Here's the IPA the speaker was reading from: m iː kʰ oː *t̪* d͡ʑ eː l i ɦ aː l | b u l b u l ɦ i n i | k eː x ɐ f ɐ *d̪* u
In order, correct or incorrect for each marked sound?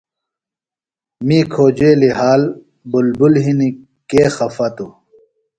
incorrect: none, incorrect: t̪

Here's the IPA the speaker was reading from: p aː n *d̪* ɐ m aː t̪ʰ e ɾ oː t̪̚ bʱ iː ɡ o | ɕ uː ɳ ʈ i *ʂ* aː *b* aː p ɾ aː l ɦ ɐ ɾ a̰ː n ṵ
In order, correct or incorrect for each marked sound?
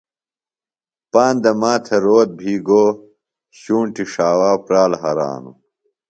correct, correct, incorrect: w

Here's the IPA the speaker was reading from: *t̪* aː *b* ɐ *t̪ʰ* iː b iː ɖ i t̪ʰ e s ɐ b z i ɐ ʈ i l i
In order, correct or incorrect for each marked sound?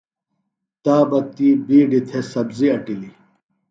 correct, correct, incorrect: t̪

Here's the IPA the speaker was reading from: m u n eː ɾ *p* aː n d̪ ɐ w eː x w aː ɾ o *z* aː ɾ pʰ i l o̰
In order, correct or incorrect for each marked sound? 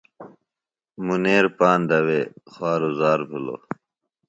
correct, correct

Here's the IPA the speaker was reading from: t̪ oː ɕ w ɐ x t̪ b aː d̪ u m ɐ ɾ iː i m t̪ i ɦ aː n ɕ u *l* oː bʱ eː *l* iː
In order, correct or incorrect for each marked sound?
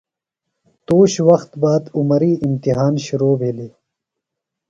incorrect: ɾ, correct

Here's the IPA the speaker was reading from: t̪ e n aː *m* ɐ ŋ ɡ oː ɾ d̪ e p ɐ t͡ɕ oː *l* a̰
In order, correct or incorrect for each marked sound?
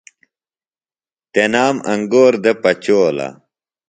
correct, correct

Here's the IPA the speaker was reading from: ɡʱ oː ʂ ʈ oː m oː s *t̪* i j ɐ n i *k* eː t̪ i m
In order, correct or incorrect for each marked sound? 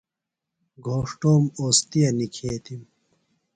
correct, incorrect: kʰ

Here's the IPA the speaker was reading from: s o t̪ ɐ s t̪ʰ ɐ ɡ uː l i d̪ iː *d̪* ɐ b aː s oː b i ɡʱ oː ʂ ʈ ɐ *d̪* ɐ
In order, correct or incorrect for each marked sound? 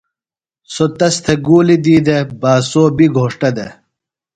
correct, correct

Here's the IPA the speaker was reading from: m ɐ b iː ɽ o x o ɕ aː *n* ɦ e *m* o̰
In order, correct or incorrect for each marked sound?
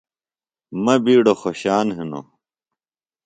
correct, incorrect: n

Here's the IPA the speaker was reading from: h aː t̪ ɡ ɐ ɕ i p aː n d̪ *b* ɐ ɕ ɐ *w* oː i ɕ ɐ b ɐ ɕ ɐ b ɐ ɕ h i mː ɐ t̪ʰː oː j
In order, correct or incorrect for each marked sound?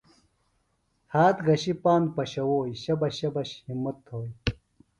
incorrect: p, correct

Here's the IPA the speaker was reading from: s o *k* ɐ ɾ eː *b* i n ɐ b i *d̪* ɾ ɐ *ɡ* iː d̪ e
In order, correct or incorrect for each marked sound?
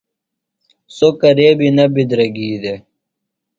correct, correct, correct, correct

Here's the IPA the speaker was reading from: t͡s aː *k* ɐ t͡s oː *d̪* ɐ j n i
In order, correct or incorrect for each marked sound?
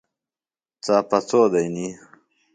incorrect: p, correct

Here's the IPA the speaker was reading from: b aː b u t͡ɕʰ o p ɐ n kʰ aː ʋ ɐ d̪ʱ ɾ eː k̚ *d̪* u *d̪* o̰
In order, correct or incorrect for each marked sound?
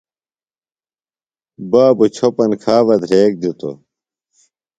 correct, incorrect: t̪

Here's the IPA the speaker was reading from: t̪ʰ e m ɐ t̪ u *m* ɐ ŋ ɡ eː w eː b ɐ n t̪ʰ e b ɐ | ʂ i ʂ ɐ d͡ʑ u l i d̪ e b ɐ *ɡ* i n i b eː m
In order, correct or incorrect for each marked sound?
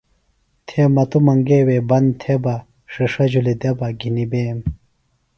correct, correct

